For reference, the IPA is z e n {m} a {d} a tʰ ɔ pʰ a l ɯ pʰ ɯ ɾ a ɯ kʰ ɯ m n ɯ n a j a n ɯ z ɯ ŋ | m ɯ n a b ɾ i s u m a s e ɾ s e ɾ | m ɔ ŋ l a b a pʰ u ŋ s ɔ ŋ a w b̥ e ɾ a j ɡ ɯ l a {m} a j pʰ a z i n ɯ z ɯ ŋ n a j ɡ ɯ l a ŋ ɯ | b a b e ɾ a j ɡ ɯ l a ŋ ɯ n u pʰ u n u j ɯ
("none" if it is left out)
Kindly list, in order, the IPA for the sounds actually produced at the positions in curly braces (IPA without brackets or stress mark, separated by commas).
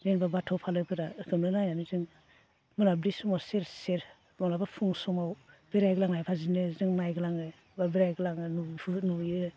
b, b, ŋ